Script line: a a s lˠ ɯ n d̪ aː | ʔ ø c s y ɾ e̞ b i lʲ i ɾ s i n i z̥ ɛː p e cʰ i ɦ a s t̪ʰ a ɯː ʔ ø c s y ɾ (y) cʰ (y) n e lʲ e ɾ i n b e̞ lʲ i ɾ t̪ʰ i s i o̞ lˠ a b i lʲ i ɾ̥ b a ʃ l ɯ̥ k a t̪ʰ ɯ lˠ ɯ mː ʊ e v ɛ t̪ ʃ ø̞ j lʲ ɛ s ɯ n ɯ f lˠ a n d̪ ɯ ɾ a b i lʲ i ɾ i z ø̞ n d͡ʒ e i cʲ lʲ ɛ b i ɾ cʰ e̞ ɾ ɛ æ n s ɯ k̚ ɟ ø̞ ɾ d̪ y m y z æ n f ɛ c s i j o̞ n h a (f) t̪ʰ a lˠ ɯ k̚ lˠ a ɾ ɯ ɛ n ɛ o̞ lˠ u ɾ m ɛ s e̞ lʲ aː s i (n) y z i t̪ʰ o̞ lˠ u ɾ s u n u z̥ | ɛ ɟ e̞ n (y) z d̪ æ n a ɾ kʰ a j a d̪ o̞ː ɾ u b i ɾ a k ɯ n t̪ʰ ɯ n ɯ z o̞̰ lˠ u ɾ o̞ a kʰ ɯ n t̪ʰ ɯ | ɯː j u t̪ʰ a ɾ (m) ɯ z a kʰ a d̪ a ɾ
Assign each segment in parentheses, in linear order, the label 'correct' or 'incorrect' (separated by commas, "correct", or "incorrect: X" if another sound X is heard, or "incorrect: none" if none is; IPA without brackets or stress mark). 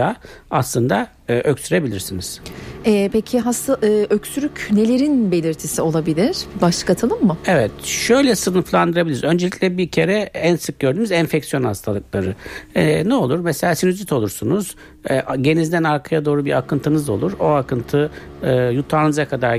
correct, correct, incorrect: s, correct, incorrect: i, incorrect: n